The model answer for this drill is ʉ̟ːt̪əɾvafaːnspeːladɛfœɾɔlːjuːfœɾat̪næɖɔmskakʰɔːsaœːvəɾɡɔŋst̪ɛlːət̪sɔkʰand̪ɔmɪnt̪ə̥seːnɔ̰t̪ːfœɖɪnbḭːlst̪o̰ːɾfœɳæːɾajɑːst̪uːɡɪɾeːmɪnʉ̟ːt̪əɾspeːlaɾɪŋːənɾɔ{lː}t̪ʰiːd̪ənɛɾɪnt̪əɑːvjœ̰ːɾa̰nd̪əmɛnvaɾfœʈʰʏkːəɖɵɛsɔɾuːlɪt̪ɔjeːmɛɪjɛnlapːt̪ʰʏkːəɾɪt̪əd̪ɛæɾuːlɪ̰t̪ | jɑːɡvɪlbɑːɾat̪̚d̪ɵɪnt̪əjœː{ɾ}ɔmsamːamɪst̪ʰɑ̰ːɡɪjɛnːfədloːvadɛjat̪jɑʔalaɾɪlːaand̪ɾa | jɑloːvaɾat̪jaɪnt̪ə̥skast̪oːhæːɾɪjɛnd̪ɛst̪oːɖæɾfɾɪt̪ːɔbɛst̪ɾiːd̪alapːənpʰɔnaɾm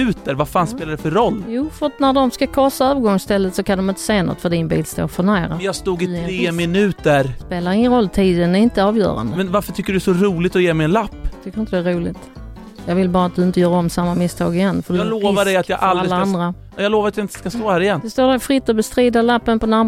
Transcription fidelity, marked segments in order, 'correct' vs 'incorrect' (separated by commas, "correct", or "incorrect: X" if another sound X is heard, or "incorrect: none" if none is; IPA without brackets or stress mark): correct, correct